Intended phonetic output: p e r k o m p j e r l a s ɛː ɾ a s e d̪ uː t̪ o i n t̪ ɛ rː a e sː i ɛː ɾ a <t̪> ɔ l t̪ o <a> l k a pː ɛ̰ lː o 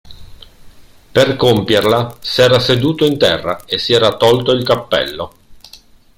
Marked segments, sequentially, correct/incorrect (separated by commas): correct, incorrect